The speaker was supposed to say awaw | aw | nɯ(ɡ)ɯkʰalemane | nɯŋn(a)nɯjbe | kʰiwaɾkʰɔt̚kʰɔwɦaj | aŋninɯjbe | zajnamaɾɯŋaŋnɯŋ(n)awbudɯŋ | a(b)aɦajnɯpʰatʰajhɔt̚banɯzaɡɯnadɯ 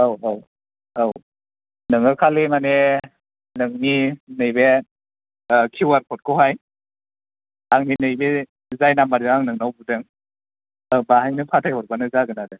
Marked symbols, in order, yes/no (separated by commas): no, no, yes, yes